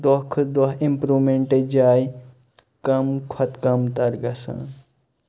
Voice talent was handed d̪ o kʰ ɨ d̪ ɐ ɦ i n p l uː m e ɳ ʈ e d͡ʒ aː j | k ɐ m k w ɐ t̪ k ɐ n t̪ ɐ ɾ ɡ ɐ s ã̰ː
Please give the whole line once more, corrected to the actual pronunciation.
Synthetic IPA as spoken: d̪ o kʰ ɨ d̪ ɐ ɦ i m p ɾ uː m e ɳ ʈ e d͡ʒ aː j | k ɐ m kʰ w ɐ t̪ k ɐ m t̪ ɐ ɾ ɡ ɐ s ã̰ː